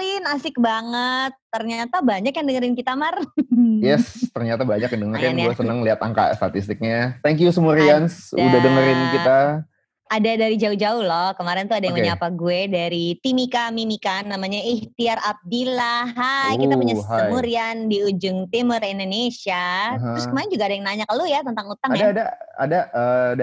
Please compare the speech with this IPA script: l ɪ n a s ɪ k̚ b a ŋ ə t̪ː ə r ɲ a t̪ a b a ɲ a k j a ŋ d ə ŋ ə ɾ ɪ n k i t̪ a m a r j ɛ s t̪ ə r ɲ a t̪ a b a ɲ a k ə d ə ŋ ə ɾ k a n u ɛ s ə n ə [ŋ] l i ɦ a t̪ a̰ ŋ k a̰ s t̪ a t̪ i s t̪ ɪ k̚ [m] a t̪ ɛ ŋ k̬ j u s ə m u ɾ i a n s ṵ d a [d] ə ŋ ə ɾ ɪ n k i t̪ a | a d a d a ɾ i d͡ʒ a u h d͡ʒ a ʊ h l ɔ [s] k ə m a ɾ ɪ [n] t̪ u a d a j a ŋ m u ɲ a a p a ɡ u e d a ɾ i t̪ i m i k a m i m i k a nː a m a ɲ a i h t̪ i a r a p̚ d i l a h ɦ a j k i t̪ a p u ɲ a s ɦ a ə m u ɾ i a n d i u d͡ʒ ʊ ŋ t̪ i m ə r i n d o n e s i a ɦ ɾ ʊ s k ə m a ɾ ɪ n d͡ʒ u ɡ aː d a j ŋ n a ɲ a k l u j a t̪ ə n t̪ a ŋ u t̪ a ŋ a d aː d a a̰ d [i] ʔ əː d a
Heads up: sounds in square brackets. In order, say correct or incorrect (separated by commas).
correct, incorrect, correct, incorrect, correct, incorrect